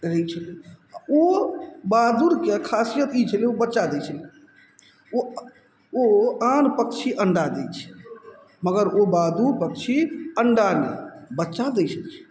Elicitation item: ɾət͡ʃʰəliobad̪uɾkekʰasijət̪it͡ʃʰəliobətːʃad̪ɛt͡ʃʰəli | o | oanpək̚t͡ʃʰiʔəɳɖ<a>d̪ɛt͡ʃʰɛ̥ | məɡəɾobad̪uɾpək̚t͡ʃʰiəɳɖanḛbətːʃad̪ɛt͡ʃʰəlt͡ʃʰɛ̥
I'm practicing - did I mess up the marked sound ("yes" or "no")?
no